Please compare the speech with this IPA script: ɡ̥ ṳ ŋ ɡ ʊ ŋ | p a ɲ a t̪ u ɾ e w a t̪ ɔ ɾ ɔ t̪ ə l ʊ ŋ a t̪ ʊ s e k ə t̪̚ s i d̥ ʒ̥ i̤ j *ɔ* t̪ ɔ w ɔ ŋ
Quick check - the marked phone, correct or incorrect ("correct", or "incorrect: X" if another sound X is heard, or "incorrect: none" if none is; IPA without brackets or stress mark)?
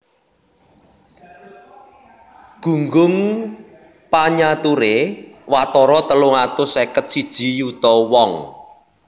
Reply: incorrect: u